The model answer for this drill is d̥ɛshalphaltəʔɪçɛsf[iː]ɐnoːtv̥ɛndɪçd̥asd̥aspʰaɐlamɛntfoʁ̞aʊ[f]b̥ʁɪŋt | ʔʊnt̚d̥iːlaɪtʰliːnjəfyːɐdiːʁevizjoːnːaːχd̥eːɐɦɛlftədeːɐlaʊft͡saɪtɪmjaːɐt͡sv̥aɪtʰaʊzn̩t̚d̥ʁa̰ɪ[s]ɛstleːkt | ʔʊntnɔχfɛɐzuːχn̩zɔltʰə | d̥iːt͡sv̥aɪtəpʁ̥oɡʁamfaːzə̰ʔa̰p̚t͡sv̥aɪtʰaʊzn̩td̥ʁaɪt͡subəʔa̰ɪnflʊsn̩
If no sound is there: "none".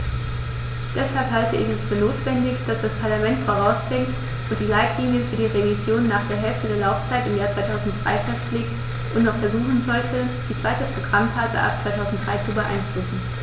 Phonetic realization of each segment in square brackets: yː, s, f

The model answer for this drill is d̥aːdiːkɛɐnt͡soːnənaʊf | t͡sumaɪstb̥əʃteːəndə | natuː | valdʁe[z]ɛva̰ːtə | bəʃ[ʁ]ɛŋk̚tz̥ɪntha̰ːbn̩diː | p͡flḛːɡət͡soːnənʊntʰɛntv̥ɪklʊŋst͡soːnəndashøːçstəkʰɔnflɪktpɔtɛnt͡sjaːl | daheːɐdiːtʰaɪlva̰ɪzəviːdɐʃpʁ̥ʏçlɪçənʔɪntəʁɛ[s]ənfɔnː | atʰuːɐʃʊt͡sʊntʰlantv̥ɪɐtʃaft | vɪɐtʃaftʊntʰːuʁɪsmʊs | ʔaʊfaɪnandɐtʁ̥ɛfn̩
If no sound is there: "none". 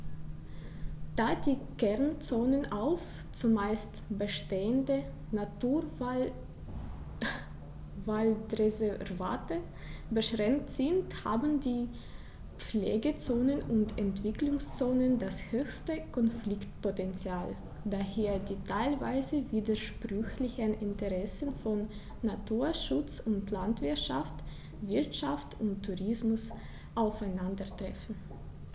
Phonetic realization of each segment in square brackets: z, ʁ, s

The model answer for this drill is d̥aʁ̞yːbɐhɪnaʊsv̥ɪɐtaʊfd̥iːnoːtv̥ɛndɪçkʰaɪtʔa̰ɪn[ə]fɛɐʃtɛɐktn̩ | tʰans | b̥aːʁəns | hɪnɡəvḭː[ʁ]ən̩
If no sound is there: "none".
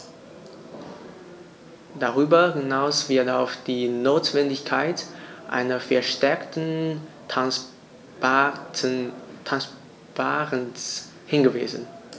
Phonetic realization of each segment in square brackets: ɐ, z

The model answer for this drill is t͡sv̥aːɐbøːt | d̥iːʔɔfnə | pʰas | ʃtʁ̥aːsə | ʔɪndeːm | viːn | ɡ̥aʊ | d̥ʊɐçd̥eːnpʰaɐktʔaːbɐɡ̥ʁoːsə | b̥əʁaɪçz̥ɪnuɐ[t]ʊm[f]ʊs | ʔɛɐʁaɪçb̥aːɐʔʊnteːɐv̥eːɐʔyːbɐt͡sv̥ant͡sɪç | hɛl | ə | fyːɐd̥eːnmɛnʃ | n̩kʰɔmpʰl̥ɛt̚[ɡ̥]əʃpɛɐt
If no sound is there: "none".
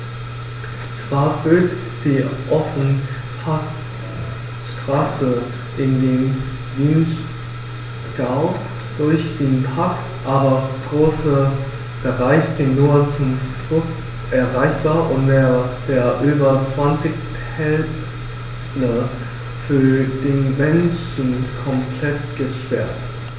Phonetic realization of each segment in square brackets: t͡s, f, ɡ̥

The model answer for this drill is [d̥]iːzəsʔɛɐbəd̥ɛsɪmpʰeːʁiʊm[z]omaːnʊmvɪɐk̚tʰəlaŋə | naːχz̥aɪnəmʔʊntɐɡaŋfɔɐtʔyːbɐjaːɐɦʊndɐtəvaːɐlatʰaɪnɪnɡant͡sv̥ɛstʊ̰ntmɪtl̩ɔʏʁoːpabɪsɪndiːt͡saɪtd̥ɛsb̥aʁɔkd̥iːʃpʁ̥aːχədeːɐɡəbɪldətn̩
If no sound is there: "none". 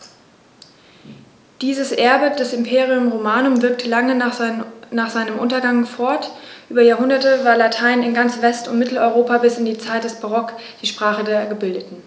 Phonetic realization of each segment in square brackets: d̥, ʁ

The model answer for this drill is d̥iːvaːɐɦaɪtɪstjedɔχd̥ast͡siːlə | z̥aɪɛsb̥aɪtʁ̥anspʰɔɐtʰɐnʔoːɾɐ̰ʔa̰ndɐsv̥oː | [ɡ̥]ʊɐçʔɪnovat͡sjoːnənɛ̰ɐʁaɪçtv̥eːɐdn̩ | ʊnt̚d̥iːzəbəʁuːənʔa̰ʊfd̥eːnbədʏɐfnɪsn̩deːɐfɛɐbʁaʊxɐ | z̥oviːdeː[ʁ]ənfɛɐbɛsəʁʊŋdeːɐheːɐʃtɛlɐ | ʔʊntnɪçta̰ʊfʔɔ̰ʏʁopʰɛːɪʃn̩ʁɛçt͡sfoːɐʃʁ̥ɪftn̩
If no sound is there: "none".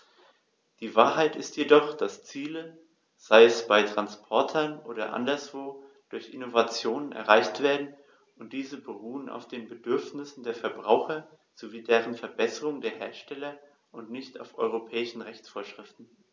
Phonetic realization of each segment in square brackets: d̥, ʁ

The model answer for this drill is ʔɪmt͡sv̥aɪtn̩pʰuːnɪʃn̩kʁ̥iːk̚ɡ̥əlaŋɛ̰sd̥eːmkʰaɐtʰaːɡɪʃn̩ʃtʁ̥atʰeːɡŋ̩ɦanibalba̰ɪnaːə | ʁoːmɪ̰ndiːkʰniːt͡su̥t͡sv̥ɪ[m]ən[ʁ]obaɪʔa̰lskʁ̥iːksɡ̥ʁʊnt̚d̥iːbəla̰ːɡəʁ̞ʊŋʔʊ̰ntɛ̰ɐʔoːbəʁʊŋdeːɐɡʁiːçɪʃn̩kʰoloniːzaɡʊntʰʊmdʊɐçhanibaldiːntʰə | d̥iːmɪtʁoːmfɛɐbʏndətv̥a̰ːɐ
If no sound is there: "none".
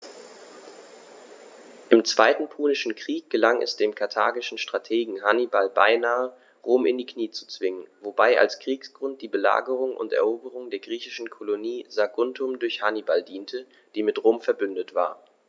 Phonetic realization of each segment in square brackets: ŋ, v

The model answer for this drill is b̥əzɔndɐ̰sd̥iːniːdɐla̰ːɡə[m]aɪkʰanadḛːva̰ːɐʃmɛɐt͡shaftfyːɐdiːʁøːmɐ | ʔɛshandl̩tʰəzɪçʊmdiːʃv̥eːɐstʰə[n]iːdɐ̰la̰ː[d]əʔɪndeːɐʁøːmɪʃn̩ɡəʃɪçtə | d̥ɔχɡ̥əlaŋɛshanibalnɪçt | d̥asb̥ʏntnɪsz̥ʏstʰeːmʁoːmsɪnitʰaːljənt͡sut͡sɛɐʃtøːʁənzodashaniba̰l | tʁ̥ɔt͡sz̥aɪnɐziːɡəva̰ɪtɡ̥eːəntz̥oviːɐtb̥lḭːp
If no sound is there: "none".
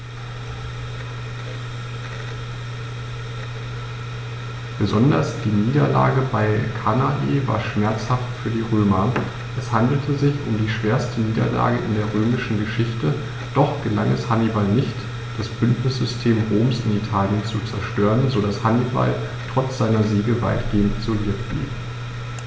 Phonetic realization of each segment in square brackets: b, n, ɡ

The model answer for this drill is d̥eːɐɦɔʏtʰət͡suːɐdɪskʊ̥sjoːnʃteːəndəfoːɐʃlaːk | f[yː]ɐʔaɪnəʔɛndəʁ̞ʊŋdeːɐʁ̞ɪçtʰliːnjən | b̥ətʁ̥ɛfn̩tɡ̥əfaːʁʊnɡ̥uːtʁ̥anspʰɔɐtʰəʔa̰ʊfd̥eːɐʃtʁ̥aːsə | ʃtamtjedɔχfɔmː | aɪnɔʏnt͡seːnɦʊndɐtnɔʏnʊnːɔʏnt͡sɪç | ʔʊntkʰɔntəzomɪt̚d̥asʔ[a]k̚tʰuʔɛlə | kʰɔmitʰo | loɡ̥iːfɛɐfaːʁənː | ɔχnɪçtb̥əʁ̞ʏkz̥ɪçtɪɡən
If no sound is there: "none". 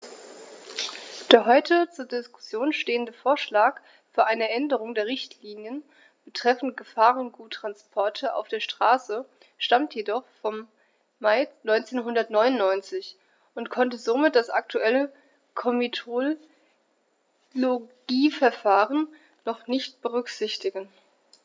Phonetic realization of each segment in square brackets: yː, a

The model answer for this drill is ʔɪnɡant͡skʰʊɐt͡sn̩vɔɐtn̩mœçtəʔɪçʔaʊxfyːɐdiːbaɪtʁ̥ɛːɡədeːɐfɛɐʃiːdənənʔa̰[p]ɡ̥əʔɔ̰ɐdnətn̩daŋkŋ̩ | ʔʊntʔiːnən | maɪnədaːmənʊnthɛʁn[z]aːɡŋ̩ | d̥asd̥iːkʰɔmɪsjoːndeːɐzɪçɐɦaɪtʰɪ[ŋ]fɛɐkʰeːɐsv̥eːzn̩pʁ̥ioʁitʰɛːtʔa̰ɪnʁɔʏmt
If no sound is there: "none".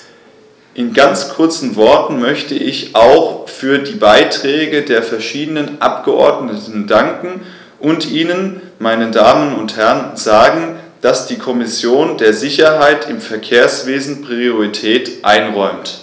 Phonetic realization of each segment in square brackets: p, z, m

